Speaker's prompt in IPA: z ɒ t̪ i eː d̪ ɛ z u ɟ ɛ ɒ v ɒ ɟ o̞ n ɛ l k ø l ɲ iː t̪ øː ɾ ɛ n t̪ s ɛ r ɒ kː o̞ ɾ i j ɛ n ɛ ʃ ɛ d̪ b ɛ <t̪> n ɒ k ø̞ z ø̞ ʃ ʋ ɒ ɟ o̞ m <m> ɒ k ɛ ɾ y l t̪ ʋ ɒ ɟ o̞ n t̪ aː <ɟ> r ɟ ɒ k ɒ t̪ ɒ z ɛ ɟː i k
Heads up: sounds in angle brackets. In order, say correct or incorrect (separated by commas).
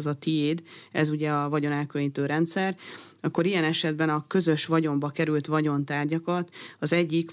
incorrect, incorrect, incorrect